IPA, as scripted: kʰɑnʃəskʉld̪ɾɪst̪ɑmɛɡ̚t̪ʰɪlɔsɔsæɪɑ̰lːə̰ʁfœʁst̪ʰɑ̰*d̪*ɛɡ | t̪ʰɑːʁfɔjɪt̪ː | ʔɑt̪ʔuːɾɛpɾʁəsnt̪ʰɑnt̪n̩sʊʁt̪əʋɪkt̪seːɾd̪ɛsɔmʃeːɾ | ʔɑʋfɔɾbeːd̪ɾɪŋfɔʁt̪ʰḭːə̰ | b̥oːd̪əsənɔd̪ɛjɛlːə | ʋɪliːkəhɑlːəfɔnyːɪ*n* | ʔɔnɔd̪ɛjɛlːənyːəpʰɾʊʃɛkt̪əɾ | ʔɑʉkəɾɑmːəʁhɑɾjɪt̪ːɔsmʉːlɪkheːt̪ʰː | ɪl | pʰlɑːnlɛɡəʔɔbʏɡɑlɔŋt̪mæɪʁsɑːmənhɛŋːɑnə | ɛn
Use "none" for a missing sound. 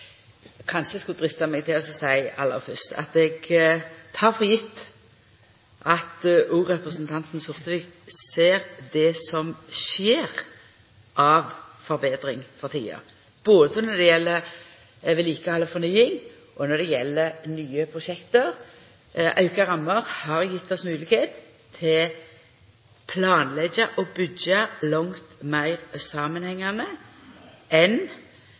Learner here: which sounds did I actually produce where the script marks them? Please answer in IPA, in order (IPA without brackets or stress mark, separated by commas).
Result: t̪, ŋ